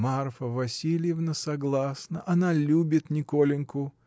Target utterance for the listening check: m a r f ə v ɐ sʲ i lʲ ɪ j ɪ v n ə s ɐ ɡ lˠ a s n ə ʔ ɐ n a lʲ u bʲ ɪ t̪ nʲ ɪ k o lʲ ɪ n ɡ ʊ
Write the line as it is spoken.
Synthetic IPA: m a r f ə v ɐ sʲ i lʲ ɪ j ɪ v n ə s ɐ ɡ lˠ a s n ə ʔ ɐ n a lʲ u bʲ ɪ t̪ nʲ ɪ k o lʲ ɪ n k ʊ